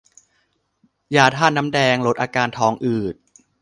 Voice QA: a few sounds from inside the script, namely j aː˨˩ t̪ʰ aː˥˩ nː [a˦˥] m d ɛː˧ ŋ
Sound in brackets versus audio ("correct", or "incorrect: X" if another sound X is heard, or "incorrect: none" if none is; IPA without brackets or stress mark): correct